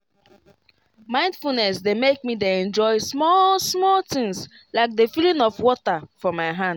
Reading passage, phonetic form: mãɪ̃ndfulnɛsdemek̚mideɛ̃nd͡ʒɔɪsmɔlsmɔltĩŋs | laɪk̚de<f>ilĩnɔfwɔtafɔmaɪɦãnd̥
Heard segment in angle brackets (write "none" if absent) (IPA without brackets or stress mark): f